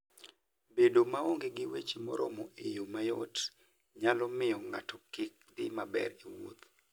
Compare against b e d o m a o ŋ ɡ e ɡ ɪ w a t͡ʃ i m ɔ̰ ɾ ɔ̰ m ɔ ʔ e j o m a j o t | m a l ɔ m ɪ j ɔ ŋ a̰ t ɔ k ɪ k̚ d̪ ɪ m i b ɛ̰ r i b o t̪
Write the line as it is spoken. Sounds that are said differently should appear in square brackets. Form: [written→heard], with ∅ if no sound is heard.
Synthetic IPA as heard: b e d o m a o ŋ ɡ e ɡ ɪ w [a→e] t͡ʃ i m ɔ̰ ɾ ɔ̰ m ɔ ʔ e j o m a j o t | [m→ɲ] a l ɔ m ɪ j ɔ ŋ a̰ t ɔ k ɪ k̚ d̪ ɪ m [i→a] b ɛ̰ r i [b→w] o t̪

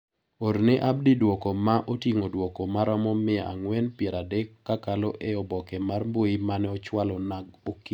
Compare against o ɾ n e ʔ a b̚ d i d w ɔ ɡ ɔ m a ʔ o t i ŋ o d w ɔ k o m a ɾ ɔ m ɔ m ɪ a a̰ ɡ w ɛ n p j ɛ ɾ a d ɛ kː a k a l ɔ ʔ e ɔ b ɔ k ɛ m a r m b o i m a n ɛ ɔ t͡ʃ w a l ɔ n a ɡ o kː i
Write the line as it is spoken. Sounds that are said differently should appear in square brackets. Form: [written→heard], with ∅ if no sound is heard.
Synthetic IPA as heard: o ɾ n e ʔ a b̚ d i d w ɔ [ɡ→k] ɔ m a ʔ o t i ŋ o d w ɔ k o m a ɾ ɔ m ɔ m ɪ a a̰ [ɡ→ŋ] w ɛ n p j ɛ ɾ a d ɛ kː a k a l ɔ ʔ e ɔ b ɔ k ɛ m a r m b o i m a n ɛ ɔ t͡ʃ w a l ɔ n a ɡ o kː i

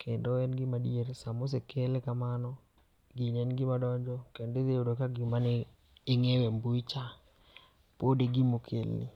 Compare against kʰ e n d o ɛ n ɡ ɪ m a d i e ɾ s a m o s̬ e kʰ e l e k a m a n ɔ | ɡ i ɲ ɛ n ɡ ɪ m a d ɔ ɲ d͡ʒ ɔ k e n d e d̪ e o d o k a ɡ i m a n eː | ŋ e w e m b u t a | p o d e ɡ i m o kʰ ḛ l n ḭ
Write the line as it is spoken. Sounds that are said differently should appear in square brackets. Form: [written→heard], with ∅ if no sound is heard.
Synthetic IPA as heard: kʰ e n d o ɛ n ɡ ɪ m a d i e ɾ s a m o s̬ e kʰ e l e k a m a n ɔ | ɡ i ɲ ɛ n ɡ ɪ m a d ɔ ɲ d͡ʒ ɔ k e n d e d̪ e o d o k a ɡ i m a n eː | ŋ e w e m b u [t→t͡ʃ] a | p o d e ɡ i m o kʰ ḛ l n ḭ

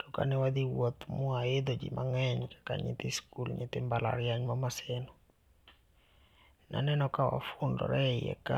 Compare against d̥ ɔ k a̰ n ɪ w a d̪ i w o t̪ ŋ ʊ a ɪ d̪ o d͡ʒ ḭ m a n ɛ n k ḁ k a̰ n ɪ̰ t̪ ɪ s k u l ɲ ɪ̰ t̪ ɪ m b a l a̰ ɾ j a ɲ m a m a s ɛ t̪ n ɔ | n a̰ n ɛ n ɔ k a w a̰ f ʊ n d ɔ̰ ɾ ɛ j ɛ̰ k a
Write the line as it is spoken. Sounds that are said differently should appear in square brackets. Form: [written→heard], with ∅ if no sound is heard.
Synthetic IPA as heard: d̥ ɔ k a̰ n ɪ w a d̪ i w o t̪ [ŋ→m] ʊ a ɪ d̪ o d͡ʒ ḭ m a [n→ŋ] ɛ [n→ɲ] k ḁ k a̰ [n→ɲ] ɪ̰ t̪ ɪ s k u l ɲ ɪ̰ t̪ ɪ m b a l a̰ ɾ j a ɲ m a m a s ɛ [t̪→∅] n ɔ | n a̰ n ɛ n ɔ k a w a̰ f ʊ n d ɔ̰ ɾ ɛ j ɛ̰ k a

